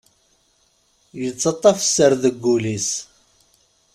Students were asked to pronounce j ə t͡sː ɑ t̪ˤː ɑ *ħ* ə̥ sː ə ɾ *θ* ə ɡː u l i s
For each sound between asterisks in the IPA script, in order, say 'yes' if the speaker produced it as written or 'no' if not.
no, no

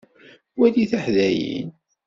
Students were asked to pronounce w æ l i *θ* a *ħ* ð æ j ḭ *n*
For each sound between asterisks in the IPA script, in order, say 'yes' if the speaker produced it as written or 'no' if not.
yes, yes, yes

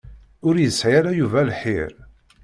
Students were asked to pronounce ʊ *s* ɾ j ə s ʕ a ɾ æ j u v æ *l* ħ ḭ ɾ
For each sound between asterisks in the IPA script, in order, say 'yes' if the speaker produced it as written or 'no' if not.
no, yes

